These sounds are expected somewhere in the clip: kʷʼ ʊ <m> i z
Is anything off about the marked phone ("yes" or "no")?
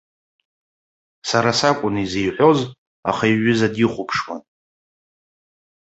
yes